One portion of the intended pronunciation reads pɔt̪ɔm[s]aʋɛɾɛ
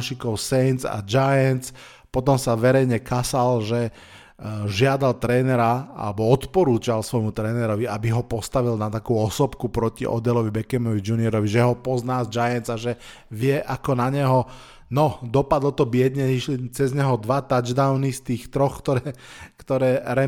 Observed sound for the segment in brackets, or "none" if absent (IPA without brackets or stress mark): s